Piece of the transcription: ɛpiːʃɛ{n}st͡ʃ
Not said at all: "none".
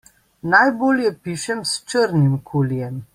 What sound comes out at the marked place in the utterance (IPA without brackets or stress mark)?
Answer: m